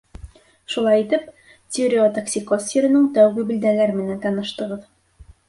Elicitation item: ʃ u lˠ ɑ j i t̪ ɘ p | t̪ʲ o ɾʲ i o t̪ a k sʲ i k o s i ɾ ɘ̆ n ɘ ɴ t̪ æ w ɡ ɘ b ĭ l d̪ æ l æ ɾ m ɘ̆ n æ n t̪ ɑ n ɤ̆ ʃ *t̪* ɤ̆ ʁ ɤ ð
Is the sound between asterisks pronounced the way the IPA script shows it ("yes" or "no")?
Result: yes